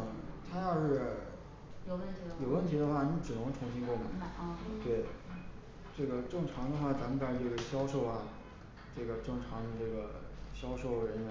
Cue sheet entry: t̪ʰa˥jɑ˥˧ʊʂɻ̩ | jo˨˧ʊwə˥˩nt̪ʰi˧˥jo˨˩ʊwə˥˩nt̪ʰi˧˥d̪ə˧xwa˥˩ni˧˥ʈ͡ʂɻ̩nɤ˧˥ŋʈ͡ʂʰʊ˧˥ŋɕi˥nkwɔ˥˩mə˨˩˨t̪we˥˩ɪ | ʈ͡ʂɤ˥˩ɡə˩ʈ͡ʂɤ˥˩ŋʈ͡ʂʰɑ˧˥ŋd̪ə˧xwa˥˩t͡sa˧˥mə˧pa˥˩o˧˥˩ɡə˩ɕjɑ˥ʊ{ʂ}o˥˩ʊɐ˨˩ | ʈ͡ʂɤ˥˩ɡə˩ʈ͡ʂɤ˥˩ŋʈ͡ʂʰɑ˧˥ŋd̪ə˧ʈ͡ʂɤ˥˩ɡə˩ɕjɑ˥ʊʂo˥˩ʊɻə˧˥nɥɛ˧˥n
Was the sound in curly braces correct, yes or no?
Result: yes